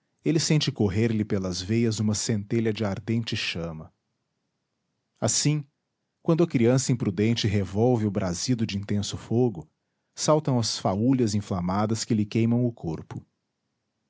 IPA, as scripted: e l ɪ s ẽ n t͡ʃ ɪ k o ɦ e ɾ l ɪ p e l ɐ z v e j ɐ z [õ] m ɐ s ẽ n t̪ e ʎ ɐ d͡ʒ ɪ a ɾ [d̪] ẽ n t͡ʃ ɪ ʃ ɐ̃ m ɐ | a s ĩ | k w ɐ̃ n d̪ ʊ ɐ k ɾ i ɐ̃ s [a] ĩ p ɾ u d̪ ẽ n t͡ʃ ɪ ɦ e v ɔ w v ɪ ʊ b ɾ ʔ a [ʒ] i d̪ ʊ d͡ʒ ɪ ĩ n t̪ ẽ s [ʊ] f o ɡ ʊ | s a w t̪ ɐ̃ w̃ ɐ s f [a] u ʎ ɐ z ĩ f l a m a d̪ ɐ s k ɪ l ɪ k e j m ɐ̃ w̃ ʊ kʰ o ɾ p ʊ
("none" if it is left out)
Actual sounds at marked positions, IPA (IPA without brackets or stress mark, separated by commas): ũ, d̪, ɐ, z, ʊ, a